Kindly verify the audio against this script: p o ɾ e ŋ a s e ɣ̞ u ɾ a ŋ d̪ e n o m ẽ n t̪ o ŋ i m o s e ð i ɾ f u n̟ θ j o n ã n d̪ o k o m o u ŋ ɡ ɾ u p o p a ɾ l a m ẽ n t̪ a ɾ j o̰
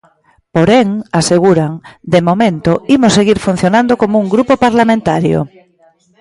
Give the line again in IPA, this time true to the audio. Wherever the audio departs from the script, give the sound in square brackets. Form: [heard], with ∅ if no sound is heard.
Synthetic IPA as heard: p o ɾ e ŋ a s e ɣ̞ u ɾ a ŋ d̪ e [m] o m ẽ n t̪ o [∅] i m o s e [ɣ] i ɾ f u n̟ θ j o n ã n d̪ o k o m o u ŋ ɡ ɾ u p o p a ɾ l a m ẽ n t̪ a ɾ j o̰